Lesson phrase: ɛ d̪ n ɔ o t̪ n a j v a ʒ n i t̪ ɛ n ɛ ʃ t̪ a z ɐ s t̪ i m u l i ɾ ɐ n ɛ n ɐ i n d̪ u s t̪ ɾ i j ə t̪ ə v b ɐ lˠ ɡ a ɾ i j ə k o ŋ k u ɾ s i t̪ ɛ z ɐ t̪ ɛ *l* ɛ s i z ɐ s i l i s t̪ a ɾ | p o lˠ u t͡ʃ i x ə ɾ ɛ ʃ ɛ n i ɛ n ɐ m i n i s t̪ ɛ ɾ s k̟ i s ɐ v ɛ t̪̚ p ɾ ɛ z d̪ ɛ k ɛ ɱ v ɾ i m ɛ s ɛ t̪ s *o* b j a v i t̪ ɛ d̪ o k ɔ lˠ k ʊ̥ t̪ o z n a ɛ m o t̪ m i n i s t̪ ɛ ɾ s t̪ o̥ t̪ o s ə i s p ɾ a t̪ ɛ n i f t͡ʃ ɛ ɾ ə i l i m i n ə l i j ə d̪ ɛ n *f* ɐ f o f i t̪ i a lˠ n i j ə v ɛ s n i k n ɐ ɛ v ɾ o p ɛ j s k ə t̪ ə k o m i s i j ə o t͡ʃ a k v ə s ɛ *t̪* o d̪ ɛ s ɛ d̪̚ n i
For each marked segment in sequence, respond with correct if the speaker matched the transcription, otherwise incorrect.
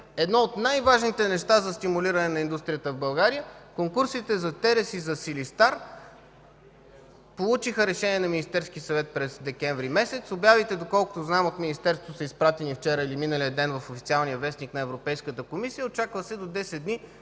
incorrect: ɾ, correct, incorrect: v, incorrect: d̪

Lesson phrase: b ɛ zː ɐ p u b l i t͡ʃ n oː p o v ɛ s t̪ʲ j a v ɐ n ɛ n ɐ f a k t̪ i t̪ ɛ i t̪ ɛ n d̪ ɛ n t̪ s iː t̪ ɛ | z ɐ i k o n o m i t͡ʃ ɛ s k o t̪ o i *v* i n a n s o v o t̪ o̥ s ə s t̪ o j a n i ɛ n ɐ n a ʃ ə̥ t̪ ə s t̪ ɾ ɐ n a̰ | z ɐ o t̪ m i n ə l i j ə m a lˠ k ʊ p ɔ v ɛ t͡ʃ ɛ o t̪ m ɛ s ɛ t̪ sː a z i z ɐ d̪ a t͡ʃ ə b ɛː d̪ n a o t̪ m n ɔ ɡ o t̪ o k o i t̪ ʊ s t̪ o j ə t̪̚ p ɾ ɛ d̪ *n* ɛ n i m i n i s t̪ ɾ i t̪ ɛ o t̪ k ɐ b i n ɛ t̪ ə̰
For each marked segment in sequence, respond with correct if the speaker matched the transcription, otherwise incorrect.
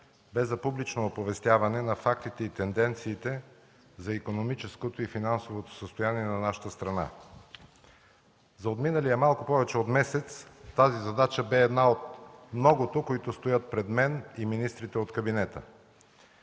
incorrect: f, incorrect: m

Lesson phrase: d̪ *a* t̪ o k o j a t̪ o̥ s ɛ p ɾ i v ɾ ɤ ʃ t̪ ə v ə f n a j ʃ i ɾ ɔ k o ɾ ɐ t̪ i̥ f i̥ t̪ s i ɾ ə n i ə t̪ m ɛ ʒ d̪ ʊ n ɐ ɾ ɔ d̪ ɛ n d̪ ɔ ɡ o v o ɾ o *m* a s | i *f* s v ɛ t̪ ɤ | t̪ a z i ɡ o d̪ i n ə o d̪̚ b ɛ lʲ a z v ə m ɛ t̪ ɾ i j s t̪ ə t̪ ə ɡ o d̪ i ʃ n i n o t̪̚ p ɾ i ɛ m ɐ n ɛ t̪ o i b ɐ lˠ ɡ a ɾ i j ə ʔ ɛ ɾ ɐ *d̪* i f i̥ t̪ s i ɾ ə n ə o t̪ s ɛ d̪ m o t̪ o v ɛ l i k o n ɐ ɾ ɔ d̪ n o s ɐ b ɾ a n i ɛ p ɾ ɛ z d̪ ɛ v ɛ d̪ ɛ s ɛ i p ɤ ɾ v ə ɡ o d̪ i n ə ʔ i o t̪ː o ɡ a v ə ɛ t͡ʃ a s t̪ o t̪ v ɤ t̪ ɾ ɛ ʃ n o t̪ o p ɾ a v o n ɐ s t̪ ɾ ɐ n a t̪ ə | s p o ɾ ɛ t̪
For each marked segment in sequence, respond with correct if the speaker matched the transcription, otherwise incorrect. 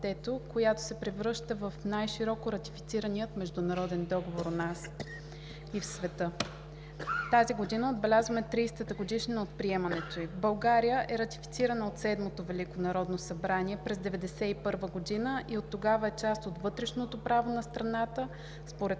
incorrect: ɛ, incorrect: n, correct, incorrect: t̪

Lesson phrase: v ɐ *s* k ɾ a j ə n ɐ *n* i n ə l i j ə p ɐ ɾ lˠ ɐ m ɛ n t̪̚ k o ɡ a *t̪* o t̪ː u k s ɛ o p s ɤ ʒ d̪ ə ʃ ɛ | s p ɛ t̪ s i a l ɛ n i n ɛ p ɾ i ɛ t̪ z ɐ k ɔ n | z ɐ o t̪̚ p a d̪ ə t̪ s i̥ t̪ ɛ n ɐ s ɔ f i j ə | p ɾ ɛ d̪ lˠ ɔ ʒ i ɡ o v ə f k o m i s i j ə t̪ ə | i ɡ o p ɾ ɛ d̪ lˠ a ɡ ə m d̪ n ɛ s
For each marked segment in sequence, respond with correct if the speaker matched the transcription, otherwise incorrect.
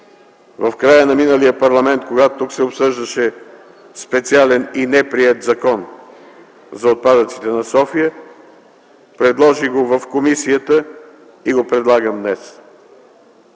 incorrect: f, incorrect: m, correct

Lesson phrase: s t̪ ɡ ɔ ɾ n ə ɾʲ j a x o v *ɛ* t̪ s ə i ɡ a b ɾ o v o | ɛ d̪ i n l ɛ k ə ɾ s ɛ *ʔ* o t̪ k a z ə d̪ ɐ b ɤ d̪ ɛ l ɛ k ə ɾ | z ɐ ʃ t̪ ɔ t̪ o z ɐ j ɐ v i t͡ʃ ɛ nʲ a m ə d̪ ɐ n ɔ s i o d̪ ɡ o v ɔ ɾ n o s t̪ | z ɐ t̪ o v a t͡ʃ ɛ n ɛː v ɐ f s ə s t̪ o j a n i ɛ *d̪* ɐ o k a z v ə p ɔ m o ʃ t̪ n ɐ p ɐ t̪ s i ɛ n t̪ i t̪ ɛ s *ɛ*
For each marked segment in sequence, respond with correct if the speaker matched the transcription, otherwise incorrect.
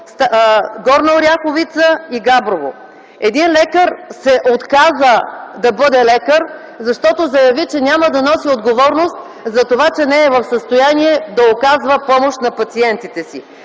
incorrect: i, correct, correct, incorrect: i

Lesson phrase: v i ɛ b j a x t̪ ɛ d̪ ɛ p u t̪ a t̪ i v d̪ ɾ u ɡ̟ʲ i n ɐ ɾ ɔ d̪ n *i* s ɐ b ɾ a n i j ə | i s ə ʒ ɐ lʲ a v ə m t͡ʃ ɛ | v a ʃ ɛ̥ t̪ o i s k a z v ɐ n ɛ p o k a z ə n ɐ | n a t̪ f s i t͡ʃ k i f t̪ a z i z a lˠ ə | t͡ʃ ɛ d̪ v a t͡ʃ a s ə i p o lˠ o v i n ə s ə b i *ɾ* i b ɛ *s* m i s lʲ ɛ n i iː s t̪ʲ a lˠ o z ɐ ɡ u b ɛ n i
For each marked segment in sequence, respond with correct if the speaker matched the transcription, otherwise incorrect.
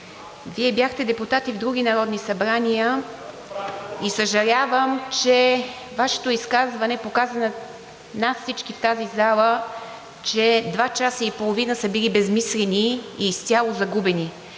correct, incorrect: l, incorrect: z

